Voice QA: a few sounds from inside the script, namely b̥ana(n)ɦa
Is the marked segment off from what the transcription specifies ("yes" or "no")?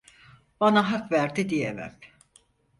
yes